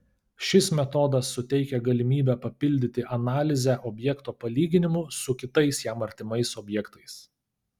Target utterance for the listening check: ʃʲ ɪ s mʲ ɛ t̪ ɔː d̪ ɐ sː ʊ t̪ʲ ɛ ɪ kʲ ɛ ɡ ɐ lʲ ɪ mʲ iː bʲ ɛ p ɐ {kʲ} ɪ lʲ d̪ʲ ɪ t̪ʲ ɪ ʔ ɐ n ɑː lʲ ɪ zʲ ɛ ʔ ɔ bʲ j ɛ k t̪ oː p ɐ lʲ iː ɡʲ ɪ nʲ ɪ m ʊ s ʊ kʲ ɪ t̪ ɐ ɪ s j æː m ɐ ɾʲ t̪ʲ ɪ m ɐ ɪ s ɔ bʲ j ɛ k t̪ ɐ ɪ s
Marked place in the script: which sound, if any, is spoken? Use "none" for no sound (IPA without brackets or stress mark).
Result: pʲ